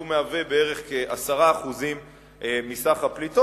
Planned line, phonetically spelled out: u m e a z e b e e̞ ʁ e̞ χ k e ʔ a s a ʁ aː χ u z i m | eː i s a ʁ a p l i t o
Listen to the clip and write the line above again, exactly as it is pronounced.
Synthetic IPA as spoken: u m e a v e b e e̞ ʁ e̞ χ k e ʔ a s a ʁ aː χ u z i m | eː i s a χ a p l i t o

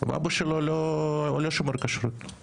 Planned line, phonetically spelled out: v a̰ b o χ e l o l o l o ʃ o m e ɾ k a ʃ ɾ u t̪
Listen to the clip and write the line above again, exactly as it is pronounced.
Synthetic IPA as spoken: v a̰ b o ʃ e l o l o l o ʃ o m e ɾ k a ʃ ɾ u t̪

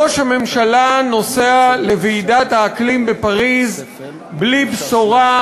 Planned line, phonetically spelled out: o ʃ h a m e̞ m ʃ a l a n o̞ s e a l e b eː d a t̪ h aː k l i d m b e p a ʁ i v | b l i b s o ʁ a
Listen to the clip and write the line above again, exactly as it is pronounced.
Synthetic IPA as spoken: o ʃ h a m e̞ m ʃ a l a n o̞ s e a l e v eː d a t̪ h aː k l i m b e p a ʁ i z | b l i b s o ʁ a

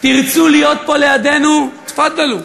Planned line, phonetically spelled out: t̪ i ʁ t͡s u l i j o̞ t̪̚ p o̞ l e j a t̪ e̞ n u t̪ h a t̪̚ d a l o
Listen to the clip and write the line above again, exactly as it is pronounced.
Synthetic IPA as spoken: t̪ i ʁ t͡s u l i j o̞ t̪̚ p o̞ l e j a d̪ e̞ n u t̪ f a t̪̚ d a l u

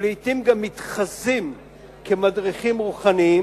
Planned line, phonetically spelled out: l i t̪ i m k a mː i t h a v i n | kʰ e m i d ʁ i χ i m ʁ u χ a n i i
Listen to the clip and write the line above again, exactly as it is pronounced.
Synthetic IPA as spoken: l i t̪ i m ɡ a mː i t χ a z i m | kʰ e m a d ʁ i χ i m ʁ u χ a n i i

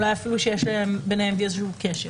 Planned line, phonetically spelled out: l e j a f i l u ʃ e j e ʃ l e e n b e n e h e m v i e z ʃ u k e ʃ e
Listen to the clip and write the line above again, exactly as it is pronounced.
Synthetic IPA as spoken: l a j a f i l u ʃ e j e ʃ l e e m b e n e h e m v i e z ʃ u k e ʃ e

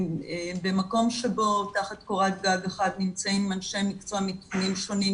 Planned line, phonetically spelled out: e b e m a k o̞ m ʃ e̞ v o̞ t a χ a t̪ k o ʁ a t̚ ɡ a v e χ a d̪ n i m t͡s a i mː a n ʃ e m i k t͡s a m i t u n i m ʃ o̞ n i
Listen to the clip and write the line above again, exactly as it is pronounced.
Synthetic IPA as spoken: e b e m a k o̞ m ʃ e̞ b o̞ t a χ a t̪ k o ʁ a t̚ ɡ a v e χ a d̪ n i m t͡s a i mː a n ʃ e m i k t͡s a m i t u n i m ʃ o̞ n i

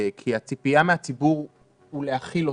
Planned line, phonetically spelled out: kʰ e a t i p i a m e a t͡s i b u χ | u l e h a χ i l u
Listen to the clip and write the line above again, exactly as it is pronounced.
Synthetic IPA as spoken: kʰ i a t͡s i p i a m e a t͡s i b u ʁ | u l e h a χ i l o

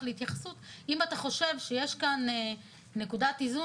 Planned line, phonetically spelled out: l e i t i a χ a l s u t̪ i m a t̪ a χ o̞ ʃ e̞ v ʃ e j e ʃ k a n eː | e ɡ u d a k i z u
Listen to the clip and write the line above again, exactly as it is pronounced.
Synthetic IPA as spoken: l e i t j a χ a s u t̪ i m a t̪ a χ o̞ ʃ e̞ v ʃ e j e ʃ k a n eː | e k u d a t i z u

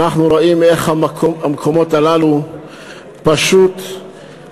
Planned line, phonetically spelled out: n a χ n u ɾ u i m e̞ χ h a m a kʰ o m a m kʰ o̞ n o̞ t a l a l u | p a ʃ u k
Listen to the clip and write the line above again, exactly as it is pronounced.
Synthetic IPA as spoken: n a χ n u ɾ o i m e̞ χ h a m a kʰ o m a m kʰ o̞ m o̞ t a l a l u | p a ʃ u t

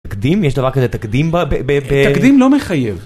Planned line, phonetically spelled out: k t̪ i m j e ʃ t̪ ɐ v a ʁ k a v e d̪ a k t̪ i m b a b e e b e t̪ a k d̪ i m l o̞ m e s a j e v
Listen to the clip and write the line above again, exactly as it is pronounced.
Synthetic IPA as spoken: k d̪ i m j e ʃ d̪ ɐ v a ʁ k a z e t̪ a k d̪ i m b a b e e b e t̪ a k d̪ i m l o̞ m e χ a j e v

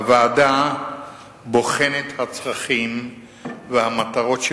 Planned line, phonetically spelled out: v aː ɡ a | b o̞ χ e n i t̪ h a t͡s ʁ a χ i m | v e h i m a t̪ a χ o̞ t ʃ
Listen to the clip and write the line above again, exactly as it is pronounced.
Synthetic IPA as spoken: v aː d a | b o̞ χ e n e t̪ h a t͡s ʁ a χ i m | v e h a m a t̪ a ʁ o̞ t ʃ

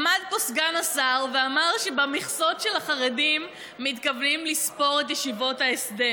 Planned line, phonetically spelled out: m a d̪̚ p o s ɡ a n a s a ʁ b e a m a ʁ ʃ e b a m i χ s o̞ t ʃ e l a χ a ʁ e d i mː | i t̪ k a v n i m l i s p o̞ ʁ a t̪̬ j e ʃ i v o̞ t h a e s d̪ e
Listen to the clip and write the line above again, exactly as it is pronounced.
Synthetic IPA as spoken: m a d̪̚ p o s ɡ a n a s a ʁ v e a m a ʁ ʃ e b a m i χ s o̞ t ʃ e l a χ a ʁ e d i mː | i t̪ k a v n i m l i s p o̞ ʁ e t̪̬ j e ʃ i v o̞ t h a e s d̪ e

